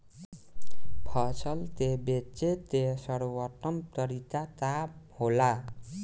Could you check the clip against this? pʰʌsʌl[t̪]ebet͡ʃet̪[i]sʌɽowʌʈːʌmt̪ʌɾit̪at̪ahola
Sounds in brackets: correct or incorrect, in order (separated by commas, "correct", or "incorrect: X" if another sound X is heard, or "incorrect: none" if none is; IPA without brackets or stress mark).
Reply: correct, incorrect: e